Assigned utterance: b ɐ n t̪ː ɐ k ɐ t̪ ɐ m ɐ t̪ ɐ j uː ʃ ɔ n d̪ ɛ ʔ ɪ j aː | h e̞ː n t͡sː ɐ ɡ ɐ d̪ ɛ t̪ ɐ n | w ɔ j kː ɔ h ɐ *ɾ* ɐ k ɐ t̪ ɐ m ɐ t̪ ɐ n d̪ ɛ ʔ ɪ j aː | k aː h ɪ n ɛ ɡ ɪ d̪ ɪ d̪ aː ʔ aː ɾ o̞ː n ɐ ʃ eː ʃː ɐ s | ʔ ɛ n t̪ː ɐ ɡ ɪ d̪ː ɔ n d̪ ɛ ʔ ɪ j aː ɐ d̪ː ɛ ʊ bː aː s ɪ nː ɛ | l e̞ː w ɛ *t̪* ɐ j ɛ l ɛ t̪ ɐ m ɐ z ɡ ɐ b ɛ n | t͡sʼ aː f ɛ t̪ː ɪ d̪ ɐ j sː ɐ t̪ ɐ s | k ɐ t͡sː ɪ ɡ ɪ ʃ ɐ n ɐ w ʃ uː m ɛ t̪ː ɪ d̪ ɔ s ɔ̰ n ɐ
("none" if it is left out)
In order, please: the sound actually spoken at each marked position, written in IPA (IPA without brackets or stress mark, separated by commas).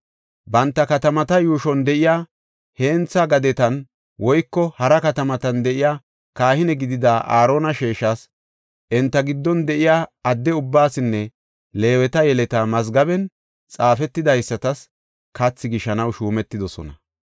ɾ, t̪